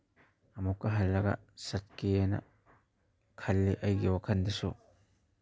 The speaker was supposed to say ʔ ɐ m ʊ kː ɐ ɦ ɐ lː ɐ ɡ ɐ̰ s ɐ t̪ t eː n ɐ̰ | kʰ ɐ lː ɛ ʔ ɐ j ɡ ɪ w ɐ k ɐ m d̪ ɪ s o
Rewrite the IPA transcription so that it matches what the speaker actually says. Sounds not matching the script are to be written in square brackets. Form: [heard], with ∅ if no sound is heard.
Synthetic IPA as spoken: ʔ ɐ m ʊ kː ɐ ɦ ɐ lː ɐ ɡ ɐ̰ s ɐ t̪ [k] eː n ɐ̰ | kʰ ɐ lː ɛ ʔ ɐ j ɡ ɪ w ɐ k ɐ [n] d̪ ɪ s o

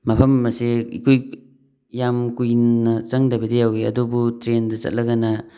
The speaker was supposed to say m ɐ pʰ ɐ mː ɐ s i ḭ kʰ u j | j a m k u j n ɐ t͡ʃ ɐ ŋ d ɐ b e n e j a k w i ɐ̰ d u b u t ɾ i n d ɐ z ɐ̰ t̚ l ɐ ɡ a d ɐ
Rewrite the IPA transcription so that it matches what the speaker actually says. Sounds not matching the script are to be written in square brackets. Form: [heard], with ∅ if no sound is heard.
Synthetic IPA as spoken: m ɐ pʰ ɐ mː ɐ s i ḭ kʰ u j | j a m k u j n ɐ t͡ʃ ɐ ŋ d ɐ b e [d] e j a [∅] w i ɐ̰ d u b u t ɾ [e] n d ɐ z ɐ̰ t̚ l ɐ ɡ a [n] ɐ

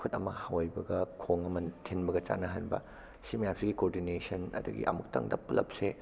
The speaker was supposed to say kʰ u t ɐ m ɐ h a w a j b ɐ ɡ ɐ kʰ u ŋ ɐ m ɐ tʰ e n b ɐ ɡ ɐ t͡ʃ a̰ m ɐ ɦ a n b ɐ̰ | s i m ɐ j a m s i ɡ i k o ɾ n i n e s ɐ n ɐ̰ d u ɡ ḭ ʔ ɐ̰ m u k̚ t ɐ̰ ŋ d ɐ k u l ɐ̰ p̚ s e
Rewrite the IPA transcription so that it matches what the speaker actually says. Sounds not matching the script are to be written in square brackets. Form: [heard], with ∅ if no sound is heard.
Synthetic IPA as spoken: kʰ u t ɐ m ɐ h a w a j b ɐ ɡ ɐ kʰ [o] ŋ ɐ m ɐ tʰ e n b ɐ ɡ ɐ t͡ʃ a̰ [n] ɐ ɦ a n b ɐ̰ | s i m ɐ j a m s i ɡ i k o ɾ [d] i n e s ɐ n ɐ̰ d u ɡ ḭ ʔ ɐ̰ m u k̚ t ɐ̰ ŋ d ɐ [p] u l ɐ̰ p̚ s e

